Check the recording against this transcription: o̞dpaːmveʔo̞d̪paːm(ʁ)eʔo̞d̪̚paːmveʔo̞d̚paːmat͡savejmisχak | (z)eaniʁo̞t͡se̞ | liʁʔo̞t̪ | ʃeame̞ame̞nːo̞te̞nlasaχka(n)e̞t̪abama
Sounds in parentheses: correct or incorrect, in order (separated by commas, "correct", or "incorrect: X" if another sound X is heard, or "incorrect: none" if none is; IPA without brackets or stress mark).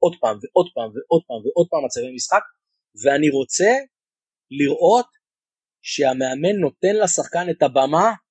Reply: incorrect: v, incorrect: v, correct